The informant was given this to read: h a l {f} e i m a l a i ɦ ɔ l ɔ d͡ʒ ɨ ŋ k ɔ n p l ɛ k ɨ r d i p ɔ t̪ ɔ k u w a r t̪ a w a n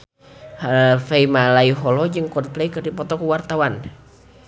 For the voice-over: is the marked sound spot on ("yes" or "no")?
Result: yes